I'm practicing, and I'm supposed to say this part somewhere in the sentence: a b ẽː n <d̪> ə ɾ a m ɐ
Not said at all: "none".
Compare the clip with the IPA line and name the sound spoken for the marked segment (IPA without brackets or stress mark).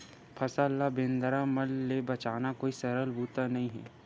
d̪